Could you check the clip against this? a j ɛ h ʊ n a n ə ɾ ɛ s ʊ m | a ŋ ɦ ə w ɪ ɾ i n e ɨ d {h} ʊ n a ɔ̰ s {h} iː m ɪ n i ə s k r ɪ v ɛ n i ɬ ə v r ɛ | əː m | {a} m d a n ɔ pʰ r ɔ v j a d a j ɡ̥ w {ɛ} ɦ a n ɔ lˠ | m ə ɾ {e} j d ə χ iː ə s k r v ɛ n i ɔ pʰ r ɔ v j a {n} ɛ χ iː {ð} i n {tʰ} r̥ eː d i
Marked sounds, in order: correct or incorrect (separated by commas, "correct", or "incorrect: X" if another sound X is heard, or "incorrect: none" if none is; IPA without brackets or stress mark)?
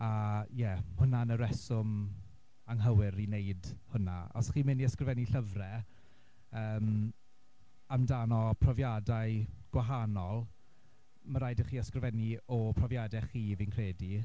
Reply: correct, incorrect: χ, correct, incorrect: a, incorrect: a, incorrect: d, incorrect: v, incorrect: kʰ